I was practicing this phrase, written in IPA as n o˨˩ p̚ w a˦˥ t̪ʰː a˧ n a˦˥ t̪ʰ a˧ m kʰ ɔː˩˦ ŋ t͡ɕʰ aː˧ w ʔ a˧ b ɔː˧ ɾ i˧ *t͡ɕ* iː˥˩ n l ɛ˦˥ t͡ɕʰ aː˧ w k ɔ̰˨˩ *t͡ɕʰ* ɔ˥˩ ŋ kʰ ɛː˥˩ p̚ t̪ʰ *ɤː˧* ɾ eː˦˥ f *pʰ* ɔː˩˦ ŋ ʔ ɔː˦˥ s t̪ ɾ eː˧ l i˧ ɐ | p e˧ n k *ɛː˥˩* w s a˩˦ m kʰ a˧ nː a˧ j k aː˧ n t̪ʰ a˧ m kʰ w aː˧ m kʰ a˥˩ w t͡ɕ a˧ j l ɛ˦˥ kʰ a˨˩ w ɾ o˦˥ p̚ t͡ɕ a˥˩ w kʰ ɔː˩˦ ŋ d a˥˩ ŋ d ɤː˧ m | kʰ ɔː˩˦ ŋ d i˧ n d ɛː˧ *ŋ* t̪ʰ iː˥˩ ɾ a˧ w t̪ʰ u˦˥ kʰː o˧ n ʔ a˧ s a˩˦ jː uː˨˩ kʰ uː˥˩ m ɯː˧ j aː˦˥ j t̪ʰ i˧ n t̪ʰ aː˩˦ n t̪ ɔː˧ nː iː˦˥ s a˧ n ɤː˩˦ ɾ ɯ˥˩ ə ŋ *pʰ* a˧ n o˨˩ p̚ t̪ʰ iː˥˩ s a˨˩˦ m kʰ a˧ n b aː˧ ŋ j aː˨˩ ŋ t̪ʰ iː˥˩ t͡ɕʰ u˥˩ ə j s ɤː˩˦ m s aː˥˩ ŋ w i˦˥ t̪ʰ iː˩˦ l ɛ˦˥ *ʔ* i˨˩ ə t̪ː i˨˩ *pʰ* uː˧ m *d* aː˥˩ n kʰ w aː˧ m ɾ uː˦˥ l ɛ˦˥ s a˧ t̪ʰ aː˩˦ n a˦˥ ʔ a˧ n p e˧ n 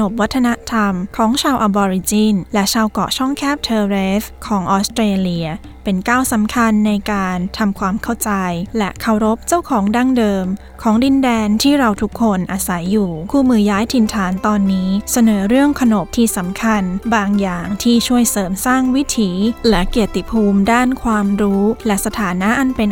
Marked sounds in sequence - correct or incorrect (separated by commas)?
correct, correct, correct, incorrect, incorrect, incorrect, incorrect, incorrect, correct, correct